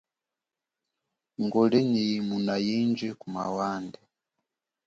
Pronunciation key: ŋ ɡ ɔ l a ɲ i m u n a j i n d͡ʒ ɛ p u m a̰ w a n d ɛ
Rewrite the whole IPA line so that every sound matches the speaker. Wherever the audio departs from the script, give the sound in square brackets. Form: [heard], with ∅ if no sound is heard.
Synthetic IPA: ŋ ɡ ɔ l [ɛ] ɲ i m u n a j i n d͡ʒ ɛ [k] u m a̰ w a n d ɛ